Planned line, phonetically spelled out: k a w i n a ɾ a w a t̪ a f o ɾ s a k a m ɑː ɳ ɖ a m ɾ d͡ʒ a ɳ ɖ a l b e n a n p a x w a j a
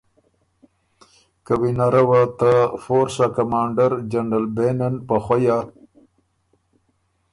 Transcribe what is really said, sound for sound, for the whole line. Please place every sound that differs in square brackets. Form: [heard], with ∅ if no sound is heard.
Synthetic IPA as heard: k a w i n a ɾ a w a t̪ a f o ɾ s a k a m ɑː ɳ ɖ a [∅] ɾ d͡ʒ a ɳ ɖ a l b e n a n p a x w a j a